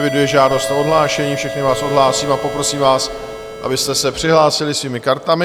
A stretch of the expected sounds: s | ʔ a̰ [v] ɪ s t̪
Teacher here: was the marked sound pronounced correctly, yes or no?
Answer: no